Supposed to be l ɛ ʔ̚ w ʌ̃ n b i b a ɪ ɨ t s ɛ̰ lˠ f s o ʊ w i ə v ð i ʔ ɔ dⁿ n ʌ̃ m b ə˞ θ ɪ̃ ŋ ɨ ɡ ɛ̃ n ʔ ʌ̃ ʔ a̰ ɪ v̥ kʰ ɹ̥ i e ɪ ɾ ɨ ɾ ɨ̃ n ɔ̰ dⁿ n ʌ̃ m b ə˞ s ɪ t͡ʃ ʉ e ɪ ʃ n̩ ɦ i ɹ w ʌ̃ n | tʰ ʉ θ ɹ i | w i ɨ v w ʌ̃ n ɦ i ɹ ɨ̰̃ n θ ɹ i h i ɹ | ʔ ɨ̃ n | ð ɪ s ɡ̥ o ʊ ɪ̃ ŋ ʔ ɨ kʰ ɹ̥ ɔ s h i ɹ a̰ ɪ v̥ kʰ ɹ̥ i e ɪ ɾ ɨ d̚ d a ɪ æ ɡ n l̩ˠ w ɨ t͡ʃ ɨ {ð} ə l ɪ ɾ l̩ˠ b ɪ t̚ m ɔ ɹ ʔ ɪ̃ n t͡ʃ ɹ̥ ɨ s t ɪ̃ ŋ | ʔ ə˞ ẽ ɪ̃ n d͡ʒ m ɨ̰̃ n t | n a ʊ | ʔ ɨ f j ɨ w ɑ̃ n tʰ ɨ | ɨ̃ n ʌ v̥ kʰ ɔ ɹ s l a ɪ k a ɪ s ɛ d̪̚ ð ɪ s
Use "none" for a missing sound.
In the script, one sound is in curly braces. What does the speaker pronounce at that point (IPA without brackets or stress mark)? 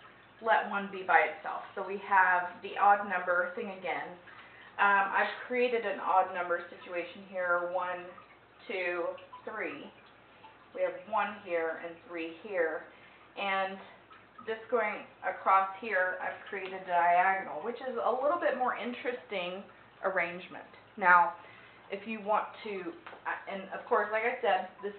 z